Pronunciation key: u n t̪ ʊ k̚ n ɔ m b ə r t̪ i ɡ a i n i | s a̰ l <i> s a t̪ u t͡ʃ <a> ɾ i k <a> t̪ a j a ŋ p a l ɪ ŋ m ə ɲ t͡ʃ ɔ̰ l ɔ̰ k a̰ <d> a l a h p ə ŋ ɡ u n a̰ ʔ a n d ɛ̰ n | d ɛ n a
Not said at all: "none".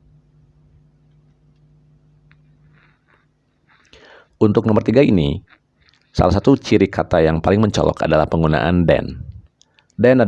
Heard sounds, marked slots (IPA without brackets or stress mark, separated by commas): a, i, a, d